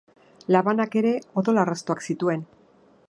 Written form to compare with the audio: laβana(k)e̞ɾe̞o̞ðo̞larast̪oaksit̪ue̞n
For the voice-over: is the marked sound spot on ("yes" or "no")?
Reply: yes